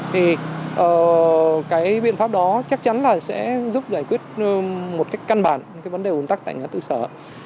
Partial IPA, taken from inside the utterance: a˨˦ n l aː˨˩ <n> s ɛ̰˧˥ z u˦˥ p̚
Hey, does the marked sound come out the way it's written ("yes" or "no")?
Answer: no